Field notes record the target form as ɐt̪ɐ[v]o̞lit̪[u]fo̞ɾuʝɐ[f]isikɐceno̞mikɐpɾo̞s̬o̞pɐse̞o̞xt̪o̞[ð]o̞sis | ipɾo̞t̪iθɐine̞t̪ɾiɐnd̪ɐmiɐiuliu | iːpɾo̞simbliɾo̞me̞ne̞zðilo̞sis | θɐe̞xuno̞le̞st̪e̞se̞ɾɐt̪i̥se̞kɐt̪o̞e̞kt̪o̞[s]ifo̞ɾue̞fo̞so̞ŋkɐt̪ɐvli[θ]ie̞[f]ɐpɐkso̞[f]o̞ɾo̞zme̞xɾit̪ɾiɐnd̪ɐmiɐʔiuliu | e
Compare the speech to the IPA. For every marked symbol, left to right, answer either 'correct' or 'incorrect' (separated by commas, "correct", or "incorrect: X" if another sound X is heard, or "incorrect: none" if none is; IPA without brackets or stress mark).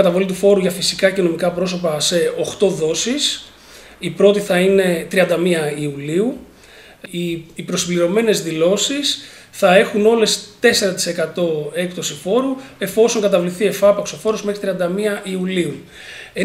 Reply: correct, correct, correct, correct, correct, correct, correct, correct